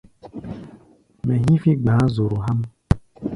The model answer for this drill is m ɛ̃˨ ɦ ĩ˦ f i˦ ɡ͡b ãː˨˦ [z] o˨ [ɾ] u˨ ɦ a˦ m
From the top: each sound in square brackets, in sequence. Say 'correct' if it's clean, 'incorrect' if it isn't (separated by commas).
correct, correct